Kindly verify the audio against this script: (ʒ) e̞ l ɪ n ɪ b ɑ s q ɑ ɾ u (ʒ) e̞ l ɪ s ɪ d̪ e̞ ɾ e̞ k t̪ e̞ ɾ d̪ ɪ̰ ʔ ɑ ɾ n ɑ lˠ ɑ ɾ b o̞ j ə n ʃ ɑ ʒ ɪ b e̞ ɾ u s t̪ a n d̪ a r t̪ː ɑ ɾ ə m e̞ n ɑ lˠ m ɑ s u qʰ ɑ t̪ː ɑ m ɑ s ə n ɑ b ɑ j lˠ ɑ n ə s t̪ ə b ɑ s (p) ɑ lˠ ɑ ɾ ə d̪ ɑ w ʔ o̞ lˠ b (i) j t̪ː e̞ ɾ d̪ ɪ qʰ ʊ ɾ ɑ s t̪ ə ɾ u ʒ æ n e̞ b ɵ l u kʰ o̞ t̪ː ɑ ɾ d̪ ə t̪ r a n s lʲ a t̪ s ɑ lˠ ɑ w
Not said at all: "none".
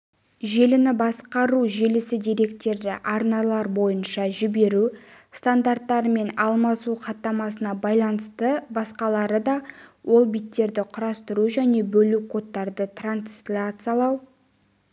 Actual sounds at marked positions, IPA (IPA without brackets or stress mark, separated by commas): ʒ, ʒ, q, i